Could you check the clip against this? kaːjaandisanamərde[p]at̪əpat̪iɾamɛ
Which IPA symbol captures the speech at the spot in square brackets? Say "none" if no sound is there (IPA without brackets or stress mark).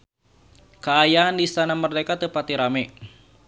k